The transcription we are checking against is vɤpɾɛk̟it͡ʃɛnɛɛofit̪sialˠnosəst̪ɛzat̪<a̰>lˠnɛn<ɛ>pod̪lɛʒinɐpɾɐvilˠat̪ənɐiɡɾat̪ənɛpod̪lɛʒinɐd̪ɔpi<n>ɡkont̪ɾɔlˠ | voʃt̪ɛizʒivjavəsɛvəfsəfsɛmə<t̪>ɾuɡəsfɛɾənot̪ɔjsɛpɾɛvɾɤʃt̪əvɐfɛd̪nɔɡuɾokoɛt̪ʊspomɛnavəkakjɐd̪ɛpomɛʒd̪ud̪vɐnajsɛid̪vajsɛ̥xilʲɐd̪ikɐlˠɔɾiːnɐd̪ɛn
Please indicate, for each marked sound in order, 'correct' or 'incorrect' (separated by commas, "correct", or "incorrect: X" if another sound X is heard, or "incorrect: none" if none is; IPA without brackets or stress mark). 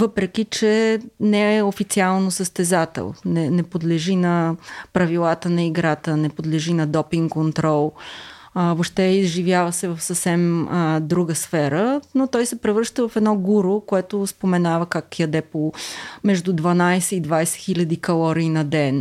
incorrect: ɛ̰, correct, incorrect: ŋ, incorrect: d̪